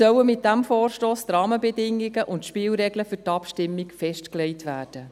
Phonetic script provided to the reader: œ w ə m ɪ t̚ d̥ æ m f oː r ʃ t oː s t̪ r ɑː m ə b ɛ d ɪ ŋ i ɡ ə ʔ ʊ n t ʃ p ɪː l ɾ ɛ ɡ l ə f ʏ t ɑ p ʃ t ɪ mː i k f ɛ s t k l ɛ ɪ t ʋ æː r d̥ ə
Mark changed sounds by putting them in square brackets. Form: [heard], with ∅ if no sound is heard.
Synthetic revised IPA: œ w ə m ɪ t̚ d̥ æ m f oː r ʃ t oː s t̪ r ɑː m ə b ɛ d ɪ ŋ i ɡ ə ʔ ʊ n t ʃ p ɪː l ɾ ɛ ɡ l ə f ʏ t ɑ p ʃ t ɪ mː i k f ɛ [ʃ] t k l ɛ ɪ t ʋ æː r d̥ ə